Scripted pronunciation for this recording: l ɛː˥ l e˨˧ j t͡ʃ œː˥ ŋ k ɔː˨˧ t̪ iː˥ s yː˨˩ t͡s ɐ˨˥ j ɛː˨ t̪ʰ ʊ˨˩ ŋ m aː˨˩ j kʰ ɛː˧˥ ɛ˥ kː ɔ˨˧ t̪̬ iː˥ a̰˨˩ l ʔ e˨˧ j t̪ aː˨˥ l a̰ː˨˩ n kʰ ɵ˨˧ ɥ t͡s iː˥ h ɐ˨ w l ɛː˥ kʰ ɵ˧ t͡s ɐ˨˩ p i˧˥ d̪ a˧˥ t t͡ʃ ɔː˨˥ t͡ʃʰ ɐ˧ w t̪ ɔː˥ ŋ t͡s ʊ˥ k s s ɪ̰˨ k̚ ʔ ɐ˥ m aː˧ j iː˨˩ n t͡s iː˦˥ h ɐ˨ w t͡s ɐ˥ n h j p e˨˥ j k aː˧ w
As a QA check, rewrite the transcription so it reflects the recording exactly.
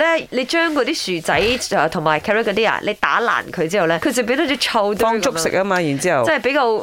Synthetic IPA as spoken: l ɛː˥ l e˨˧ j t͡ʃ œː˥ ŋ k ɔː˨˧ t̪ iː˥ s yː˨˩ t͡s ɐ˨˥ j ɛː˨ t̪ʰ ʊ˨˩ ŋ m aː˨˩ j kʰ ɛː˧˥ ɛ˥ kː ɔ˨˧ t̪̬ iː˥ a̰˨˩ l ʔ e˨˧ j t̪ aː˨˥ l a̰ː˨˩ n kʰ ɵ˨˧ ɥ t͡s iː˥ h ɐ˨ w l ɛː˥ kʰ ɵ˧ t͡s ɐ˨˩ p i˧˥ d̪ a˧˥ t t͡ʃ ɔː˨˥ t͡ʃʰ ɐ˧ w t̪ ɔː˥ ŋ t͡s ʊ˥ k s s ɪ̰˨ k̚ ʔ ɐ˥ m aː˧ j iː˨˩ n t͡s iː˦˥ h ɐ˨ w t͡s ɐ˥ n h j p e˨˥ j k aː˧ w